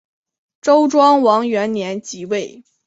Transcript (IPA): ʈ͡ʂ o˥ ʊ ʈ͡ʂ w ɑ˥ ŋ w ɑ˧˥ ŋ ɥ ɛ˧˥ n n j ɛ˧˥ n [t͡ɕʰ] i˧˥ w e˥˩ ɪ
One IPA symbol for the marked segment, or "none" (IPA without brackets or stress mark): t͡ɕ